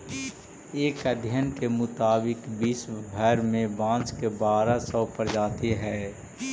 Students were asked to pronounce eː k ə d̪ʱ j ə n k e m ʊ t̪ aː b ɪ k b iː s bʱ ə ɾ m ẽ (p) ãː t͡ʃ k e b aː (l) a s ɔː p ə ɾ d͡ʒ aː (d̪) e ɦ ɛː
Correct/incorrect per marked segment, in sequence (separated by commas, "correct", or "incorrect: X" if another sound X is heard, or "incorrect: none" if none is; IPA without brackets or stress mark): incorrect: b, incorrect: ɾ, incorrect: t̪